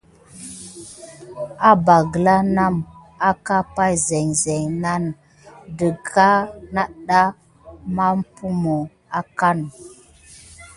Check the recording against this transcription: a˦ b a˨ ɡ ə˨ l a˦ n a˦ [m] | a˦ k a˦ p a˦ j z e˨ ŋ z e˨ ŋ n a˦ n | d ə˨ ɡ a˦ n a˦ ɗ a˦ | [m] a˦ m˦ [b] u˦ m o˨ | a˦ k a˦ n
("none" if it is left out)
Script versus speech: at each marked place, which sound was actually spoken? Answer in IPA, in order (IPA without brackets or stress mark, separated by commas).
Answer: m, m, p